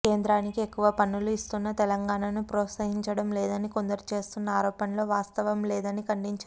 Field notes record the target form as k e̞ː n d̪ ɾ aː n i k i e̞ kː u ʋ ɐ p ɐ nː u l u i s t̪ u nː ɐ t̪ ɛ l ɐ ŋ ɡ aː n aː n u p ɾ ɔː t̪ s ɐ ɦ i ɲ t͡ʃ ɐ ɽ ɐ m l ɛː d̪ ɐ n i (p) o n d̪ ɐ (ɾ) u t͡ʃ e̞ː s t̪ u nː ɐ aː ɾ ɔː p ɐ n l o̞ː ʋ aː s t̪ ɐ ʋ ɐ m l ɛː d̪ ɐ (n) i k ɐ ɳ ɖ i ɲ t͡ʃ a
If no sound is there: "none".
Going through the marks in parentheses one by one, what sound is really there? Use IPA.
k, ɾ, n

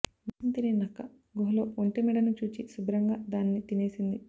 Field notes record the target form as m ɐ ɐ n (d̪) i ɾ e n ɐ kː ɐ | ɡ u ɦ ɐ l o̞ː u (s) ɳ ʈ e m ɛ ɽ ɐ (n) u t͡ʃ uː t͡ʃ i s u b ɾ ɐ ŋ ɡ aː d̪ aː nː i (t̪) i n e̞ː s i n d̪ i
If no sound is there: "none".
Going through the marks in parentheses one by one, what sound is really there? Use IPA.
t̪, none, n, t̪

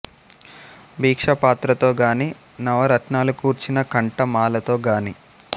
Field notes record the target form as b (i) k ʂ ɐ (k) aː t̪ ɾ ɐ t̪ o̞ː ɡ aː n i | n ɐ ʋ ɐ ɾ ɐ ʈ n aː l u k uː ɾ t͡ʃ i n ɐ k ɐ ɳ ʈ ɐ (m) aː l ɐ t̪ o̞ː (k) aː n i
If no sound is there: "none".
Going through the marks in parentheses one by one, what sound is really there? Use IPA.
iː, p, m, ɡ

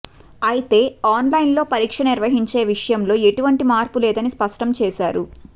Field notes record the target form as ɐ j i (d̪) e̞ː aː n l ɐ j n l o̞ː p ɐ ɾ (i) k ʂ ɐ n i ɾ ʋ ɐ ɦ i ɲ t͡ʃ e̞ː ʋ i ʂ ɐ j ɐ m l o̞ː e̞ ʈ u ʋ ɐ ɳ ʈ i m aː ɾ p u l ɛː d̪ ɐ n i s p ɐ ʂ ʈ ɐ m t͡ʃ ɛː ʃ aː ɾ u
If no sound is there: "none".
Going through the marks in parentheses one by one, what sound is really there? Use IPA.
t̪, iː

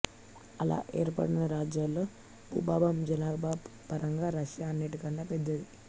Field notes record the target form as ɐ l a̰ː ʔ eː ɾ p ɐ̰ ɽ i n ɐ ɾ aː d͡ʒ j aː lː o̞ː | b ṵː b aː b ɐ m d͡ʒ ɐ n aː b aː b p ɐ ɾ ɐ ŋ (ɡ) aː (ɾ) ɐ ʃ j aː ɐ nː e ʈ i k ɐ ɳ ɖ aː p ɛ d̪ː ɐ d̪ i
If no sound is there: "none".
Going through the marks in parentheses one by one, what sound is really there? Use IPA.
ɡ, ɾ

